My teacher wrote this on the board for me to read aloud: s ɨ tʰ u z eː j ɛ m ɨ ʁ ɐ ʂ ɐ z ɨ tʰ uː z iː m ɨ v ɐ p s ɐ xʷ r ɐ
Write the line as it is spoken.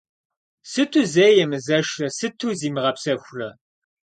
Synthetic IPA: s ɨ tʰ u z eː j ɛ m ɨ z ɐ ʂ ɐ s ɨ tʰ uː z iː m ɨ ʁ ɐ p s ɐ xʷ r ɐ